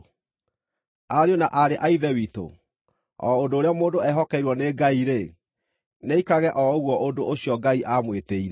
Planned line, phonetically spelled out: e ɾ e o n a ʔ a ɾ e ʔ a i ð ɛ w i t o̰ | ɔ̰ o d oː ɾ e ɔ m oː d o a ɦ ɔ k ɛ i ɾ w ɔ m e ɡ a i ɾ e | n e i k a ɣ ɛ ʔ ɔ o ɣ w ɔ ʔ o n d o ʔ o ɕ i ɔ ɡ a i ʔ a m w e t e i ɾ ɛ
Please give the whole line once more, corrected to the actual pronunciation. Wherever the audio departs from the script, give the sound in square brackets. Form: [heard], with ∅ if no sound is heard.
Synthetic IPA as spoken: [a] ɾ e o n a ʔ a ɾ e ʔ a i ð ɛ w i t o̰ | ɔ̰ o d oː ɾ e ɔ m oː d o [ɛ] ɦ ɔ k ɛ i ɾ w ɔ [n] e ɡ a i ɾ e | n e i k a ɣ ɛ ʔ ɔ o ɣ w ɔ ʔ o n d o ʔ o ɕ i ɔ ɡ a i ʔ a m w e t e i ɾ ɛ

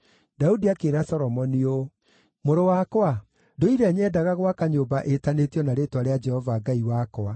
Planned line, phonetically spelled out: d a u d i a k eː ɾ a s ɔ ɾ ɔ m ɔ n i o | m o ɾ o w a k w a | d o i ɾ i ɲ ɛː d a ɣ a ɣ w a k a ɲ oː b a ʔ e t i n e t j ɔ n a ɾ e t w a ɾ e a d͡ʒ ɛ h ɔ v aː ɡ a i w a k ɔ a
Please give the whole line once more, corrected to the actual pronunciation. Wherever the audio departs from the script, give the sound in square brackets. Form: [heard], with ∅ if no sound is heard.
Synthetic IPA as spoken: d a u d i a k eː ɾ a s ɔ ɾ ɔ m ɔ n i o | m o ɾ o w a k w a | d o i ɾ [ɛ] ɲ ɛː d a ɣ a ɣ w a k a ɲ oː b a ʔ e t [a] n e t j ɔ n a ɾ e t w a ɾ e a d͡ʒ ɛ h ɔ v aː ɡ a i w a k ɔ a

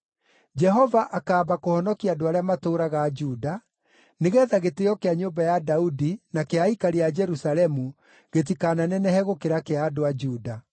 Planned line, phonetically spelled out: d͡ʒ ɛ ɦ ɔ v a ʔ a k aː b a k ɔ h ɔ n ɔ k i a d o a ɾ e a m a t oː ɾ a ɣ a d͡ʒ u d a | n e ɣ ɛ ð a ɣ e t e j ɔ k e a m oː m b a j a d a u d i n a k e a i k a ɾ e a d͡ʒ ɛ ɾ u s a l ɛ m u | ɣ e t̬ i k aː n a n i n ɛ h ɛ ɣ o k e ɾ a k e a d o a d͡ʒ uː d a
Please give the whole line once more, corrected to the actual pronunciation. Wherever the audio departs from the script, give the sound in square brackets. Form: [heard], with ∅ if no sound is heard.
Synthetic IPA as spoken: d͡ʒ ɛ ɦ ɔ v a ʔ a k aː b a k [o] h ɔ n ɔ k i a d o a ɾ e a m a t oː ɾ a ɣ a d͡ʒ u d a | n e ɣ ɛ ð a ɣ e t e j ɔ k e a [ɲ] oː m b a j a d a u d i n a k e a i k a ɾ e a d͡ʒ ɛ ɾ u s a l ɛ m u | ɣ e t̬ i k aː n a n [ɛ] n ɛ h ɛ ɣ o k e ɾ a k e a d o a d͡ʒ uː d a

